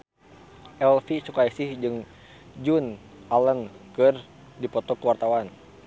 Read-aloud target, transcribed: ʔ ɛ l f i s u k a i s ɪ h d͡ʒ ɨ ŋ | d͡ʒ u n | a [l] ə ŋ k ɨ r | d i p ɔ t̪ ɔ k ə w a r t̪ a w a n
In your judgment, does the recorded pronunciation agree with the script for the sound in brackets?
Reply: yes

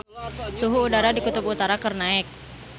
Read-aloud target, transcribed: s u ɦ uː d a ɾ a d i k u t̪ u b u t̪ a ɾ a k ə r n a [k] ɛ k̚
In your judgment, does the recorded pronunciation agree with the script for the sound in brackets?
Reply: no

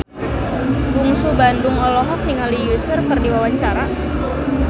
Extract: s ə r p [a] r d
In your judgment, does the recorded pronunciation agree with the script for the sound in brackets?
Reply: no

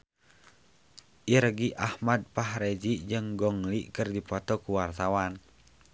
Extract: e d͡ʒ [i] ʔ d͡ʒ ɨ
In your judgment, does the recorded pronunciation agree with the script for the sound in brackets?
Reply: yes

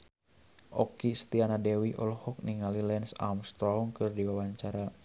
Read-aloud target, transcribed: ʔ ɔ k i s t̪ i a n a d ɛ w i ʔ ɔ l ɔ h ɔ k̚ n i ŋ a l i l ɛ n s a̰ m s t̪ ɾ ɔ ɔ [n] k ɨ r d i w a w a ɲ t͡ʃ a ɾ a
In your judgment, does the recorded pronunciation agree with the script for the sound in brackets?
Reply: no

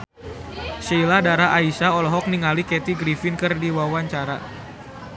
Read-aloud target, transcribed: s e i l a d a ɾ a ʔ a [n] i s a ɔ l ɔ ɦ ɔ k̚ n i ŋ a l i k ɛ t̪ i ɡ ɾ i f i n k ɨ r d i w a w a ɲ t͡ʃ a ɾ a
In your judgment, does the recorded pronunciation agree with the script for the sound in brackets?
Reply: no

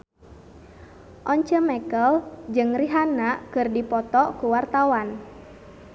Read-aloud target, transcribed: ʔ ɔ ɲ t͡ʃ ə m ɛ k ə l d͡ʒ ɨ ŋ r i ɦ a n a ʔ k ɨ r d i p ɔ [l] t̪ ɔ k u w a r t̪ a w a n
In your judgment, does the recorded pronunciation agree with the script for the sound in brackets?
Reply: no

